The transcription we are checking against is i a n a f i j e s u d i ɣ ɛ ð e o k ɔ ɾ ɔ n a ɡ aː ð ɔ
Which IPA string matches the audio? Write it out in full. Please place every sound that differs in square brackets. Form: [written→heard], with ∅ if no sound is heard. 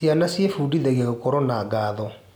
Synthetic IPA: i a n a [f→s] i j e [s→f] u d i [ɣ→ð] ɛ [ð→ɣ] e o k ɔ ɾ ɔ n a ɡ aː ð ɔ